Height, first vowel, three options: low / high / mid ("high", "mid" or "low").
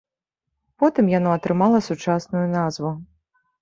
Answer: mid